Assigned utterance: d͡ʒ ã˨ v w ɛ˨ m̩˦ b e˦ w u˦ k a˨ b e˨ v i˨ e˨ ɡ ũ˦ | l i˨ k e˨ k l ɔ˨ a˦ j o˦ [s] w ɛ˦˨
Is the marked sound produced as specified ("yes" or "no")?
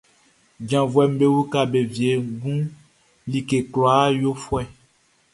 no